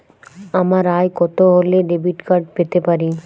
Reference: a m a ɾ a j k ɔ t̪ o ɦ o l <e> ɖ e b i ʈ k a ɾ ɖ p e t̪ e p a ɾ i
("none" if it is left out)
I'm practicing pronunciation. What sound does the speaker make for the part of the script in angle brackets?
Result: e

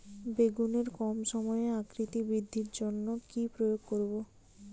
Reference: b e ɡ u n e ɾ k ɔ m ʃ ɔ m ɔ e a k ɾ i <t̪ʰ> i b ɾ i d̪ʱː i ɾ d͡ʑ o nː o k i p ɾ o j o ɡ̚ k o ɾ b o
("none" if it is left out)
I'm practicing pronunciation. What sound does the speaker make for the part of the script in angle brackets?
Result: t̪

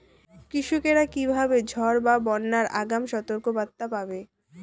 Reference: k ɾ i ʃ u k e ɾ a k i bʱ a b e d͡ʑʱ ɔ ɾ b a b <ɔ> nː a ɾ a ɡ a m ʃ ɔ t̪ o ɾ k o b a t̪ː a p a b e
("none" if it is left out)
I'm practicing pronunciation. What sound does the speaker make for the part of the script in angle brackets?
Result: ɔ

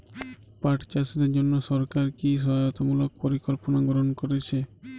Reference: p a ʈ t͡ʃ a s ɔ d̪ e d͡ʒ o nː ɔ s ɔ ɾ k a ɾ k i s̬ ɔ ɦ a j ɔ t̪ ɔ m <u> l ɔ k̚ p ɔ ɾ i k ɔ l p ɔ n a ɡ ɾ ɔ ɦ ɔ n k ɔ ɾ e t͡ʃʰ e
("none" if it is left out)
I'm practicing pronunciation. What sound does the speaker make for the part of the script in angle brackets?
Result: u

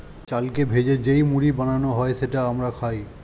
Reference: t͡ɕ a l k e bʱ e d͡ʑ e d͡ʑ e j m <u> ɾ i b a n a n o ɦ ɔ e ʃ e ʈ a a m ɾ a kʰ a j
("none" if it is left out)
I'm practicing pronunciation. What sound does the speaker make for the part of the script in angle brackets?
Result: u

